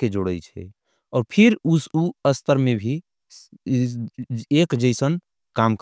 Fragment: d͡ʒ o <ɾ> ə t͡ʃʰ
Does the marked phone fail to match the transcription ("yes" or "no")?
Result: yes